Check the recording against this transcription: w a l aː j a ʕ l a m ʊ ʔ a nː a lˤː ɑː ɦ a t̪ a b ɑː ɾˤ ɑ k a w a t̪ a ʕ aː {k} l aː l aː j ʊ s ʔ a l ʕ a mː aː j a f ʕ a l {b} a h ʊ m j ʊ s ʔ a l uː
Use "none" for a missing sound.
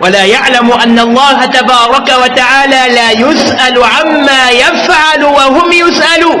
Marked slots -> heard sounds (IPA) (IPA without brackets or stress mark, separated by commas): none, w